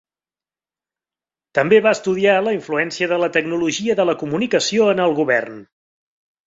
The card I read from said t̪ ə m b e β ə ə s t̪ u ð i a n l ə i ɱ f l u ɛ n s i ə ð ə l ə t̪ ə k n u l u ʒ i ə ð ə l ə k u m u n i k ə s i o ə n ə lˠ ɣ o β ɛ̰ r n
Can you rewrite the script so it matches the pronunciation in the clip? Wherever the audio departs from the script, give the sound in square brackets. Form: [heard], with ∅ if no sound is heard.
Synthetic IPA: t̪ ə m b e β [a] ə s t̪ u ð i a [∅] l ə i ɱ f l u ɛ n s i ə ð ə l ə t̪ ə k n u l u ʒ i ə ð ə l ə k u m u n i k ə s i o ə n ə lˠ ɣ [u] β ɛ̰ r n